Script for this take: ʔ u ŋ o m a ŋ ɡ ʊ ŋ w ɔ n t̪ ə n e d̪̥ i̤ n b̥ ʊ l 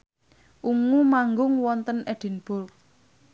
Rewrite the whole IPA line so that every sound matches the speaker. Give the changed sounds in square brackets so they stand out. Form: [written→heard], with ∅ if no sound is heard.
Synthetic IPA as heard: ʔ u ŋ [o→u] m a ŋ ɡ ʊ ŋ w ɔ n t̪ ə n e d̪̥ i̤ n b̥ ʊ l